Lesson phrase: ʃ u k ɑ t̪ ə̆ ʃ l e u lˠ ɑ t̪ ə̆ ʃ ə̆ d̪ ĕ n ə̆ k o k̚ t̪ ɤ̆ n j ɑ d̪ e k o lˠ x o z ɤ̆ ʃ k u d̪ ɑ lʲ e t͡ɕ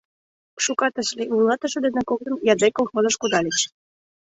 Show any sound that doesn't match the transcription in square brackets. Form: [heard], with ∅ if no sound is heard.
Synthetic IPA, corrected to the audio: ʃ u k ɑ t̪ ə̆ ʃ l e u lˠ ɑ t̪ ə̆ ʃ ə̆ d̪ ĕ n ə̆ k o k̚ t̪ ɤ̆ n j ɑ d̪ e k o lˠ x o z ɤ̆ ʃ k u d̪ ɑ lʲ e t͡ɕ